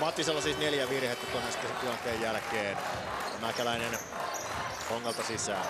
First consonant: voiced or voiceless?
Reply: voiced